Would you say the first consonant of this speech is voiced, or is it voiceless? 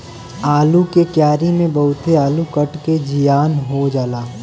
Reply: voiced